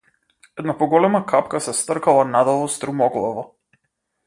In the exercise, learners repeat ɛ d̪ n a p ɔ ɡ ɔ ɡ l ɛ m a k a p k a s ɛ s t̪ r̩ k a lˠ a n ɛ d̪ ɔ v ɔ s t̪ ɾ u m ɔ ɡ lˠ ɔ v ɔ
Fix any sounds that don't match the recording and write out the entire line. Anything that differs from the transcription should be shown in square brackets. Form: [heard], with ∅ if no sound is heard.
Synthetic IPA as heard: ɛ d̪ n a p ɔ ɡ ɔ [∅] l ɛ m a k a p k a s ɛ s t̪ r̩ k a lˠ a n [a] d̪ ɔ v ɔ s t̪ ɾ u m ɔ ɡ lˠ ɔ v ɔ

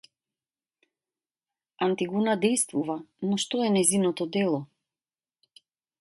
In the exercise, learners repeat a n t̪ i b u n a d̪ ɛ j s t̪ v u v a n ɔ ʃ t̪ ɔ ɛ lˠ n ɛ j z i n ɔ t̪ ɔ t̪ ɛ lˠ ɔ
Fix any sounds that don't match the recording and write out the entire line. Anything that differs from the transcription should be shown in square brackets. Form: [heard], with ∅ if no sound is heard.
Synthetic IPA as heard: a n t̪ i [ɡ] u n a d̪ ɛ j s t̪ v u v a n ɔ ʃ t̪ ɔ ɛ [∅] n ɛ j z i n ɔ t̪ ɔ [d̪] ɛ lˠ ɔ

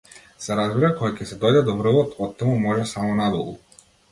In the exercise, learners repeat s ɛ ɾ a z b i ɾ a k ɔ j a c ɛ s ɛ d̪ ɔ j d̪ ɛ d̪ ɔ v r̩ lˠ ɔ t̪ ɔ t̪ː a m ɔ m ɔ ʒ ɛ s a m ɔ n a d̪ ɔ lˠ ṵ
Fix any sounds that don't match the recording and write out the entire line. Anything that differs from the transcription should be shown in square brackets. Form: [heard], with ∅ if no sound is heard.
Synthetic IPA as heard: s ɛ ɾ a z b i ɾ a k ɔ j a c ɛ s ɛ d̪ ɔ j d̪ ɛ d̪ ɔ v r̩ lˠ ɔ t̪ ɔ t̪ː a m [u] m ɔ ʒ ɛ s a m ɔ n a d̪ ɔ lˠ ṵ

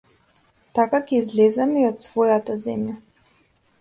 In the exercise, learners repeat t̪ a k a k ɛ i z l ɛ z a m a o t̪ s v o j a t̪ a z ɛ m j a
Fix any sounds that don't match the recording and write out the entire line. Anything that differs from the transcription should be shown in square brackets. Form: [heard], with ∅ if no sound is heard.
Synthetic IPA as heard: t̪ a k a k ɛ i z l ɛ z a m [i] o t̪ s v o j a t̪ a z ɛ m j a

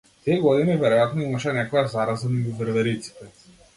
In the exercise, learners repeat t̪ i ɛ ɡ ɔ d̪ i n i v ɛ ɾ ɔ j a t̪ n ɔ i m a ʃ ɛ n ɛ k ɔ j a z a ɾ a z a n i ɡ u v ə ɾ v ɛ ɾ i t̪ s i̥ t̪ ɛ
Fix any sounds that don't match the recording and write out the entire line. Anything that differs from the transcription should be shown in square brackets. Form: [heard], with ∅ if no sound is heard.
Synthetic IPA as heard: t̪ i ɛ ɡ ɔ d̪ i n i v ɛ ɾ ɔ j a t̪ n ɔ i m a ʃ ɛ n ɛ k ɔ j a z a ɾ a z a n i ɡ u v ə ɾ v ɛ ɾ i t̪ s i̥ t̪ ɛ

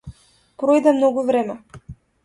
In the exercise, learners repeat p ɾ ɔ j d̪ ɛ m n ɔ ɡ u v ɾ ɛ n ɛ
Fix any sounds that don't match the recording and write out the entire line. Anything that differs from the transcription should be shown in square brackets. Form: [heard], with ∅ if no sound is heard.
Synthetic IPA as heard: p ɾ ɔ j d̪ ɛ m n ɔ ɡ u v ɾ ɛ [m] ɛ

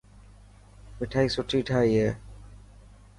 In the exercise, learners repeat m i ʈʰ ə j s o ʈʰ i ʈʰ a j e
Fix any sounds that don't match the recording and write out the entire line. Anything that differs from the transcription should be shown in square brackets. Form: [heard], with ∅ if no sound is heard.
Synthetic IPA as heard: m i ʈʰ [a] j s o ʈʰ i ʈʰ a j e

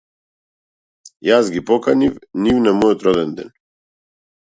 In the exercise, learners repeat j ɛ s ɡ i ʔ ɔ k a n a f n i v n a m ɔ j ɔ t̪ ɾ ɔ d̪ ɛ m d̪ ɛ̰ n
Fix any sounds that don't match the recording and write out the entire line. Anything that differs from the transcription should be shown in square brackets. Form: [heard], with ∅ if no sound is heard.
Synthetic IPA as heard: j [a] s ɡ i [p] ɔ k a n [i] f n i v n a m ɔ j ɔ t̪ ɾ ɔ d̪ ɛ [n] d̪ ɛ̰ n

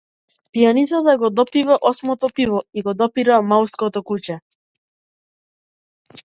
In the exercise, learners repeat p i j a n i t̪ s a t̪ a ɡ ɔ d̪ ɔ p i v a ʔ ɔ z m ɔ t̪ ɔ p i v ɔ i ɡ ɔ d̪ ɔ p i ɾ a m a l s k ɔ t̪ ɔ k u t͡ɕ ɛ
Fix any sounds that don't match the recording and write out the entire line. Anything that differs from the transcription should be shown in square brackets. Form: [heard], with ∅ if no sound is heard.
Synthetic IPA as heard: p i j a n i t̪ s a t̪ a ɡ ɔ d̪ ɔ p i v a ʔ ɔ [s] m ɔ t̪ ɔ p i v ɔ i ɡ ɔ d̪ ɔ p i ɾ a m a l s k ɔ t̪ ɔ k u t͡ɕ ɛ

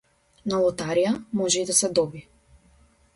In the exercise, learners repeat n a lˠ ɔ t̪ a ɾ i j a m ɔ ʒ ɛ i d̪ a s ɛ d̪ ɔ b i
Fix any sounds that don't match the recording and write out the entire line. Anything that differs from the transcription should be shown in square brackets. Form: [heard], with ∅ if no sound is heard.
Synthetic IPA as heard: n a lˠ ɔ t̪ a ɾ i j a m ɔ ʒ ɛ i d̪ a s ɛ d̪ ɔ b i

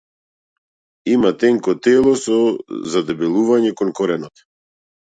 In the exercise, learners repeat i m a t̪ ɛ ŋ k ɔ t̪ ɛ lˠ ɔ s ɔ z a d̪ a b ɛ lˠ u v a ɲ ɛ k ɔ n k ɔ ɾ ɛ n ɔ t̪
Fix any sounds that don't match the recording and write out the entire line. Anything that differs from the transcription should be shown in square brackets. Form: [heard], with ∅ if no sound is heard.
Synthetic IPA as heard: i m a t̪ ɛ ŋ k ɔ t̪ ɛ lˠ ɔ s ɔ z a d̪ [ɛ] b ɛ lˠ u v a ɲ ɛ k ɔ n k ɔ ɾ ɛ n ɔ t̪

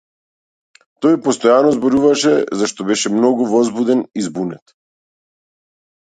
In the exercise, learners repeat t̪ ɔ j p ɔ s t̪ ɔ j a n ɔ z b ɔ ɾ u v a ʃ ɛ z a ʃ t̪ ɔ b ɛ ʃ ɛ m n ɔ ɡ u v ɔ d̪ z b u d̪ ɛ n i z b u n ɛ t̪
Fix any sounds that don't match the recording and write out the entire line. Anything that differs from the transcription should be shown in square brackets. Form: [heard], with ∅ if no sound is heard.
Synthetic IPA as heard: t̪ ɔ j p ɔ s t̪ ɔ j a n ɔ z b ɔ ɾ u v a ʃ ɛ z a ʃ t̪ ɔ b ɛ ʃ ɛ m n ɔ ɡ u v ɔ [∅] z b u d̪ ɛ n i z b u n ɛ t̪

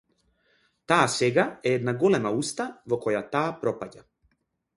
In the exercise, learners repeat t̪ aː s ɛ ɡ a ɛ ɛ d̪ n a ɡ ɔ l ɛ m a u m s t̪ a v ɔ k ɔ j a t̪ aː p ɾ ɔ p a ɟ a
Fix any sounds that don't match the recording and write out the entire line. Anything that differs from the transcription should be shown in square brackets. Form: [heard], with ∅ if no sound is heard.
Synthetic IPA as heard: t̪ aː s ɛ ɡ a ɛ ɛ d̪ n a ɡ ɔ l ɛ m a u [∅] s t̪ a v ɔ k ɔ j a t̪ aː p ɾ ɔ p a ɟ a

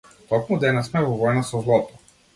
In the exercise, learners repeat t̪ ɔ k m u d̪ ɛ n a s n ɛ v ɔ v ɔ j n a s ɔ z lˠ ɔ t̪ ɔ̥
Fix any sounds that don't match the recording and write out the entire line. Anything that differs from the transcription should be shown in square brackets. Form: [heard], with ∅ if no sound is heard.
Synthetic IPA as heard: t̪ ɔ k m u d̪ ɛ n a s [m] ɛ v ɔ v ɔ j n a s ɔ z lˠ ɔ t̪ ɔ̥

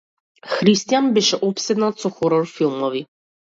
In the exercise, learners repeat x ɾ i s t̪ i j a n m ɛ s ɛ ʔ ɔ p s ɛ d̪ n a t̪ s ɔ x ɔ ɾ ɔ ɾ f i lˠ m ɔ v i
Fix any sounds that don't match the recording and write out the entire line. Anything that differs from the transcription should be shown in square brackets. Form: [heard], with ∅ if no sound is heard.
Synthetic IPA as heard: x ɾ i s t̪ i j a n [b] ɛ [ʃ] ɛ ʔ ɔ p s ɛ d̪ n a t̪ s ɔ x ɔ ɾ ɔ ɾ f i lˠ m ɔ v i

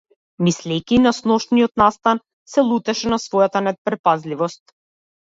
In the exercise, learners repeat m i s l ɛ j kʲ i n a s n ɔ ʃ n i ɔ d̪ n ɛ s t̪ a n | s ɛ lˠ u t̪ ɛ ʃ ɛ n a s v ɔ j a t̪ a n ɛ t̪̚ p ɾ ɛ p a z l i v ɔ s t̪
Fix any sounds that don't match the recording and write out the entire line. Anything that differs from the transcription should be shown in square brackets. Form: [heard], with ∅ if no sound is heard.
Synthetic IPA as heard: m i s l ɛ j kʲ i n a s n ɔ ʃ n i ɔ [t̪] n [a] s t̪ a n | s ɛ lˠ u t̪ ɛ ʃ ɛ n a s v ɔ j a t̪ a n ɛ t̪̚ p ɾ ɛ p a z l i v ɔ s t̪

